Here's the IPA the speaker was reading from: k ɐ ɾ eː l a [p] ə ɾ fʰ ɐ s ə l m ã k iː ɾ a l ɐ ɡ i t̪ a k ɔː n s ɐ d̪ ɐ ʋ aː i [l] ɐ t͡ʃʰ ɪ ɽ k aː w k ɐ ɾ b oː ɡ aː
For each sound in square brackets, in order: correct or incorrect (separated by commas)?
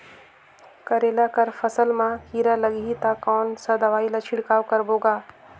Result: incorrect, correct